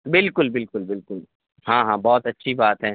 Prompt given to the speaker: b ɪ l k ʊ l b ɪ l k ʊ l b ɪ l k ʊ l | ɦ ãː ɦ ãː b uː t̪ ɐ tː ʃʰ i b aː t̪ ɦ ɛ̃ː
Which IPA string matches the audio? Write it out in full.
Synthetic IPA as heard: b ɪ l k ʊ l b ɪ l k ʊ l b ɪ l k ʊ l | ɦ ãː ɦ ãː b ɔː t̪ ɐ tː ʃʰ i b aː t̪ ɦ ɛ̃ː